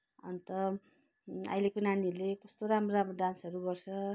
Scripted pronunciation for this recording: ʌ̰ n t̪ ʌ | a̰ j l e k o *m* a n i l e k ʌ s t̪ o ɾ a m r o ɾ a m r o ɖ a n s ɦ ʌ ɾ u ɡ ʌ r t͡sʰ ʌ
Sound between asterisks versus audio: incorrect: n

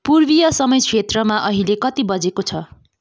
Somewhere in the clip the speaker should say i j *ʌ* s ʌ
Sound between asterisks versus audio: correct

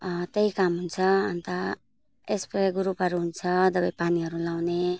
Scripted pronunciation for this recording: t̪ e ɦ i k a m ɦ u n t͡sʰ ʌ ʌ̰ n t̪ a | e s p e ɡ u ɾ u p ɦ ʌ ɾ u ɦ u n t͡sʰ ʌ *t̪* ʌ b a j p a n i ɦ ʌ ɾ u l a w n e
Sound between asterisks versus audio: incorrect: d̪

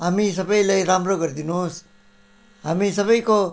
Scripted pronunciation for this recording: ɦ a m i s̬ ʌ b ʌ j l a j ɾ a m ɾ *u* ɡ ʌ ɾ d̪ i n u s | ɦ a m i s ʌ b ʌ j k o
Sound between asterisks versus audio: incorrect: o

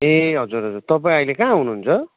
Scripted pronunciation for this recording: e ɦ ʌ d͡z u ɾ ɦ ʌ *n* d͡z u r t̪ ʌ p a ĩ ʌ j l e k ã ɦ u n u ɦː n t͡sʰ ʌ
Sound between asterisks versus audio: incorrect: none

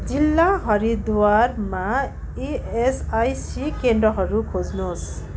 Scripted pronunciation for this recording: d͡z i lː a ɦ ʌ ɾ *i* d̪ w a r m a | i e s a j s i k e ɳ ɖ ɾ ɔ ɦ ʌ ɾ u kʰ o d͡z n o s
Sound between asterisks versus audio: correct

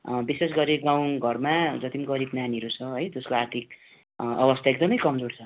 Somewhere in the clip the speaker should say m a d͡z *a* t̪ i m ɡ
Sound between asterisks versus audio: incorrect: ʌ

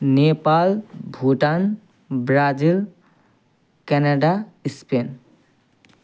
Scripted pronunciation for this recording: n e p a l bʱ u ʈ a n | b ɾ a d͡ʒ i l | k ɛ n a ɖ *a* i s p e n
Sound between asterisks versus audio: correct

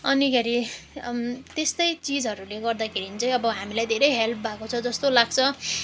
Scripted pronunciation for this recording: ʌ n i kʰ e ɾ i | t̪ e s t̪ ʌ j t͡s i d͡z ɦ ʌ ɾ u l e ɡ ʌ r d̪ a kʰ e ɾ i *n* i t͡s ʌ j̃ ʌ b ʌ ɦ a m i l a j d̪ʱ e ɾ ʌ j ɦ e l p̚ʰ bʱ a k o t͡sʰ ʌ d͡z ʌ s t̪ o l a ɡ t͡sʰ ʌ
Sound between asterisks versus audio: correct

